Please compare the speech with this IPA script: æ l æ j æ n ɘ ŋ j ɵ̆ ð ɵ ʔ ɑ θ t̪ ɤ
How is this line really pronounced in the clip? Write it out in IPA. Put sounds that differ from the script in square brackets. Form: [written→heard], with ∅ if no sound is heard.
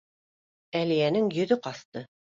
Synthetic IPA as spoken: æ l [æ→i] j æ n ɘ ŋ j ɵ̆ ð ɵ [ʔ→q] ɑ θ t̪ ɤ